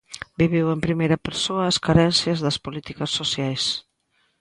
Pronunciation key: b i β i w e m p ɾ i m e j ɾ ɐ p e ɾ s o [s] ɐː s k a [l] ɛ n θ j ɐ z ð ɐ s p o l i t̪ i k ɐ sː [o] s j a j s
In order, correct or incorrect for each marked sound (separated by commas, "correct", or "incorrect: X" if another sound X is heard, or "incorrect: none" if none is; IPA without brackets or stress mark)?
incorrect: none, incorrect: ɾ, correct